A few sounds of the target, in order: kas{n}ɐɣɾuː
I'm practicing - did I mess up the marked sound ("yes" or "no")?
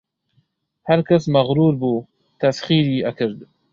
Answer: yes